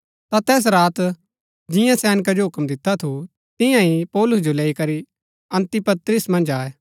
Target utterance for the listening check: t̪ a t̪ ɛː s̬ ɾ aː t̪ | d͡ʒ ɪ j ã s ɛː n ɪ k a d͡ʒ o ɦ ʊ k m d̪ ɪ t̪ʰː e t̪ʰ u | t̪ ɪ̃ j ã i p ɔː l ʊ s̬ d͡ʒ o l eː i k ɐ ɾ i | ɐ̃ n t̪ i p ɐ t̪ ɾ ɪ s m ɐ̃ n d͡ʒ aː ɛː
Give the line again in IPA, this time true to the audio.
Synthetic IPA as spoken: t̪ a t̪ ɛː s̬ ɾ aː t̪ | d͡ʒ ɪ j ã s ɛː n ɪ k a d͡ʒ o ɦ ʊ k m d̪ ɪ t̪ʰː a t̪ʰ u | t̪ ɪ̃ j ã i p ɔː l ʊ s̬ d͡ʒ o l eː i k ɐ ɾ i | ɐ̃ n t̪ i p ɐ t̪ ɾ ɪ s m ɐ̃ n d͡ʒ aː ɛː